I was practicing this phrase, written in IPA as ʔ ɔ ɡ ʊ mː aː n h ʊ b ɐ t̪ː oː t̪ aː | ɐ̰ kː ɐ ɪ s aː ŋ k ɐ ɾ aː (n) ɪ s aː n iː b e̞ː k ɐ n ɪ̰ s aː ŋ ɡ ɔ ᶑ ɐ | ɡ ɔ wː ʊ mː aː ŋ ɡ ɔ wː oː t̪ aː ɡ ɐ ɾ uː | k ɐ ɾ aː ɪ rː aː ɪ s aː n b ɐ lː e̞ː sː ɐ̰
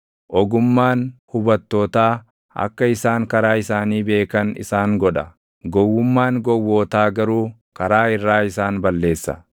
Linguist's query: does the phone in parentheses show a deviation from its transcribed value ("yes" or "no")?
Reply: yes